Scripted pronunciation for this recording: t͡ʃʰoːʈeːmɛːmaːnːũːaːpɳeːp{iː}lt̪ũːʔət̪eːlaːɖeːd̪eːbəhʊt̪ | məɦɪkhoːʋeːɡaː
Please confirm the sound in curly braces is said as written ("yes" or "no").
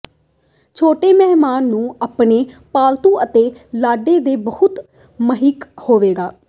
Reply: no